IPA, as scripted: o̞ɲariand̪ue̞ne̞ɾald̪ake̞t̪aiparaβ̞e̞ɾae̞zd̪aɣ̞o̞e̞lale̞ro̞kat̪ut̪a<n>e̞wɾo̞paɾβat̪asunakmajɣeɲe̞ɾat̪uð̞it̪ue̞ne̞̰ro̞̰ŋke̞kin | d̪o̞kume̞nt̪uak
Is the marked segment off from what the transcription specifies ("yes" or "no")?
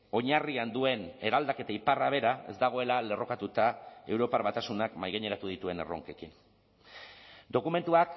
yes